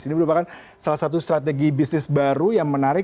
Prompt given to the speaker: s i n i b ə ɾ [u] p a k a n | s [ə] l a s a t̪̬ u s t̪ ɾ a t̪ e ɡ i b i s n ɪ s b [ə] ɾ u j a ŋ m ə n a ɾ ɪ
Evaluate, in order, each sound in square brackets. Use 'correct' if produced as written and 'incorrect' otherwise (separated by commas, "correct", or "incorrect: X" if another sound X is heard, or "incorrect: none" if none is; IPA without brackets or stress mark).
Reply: correct, incorrect: a, incorrect: a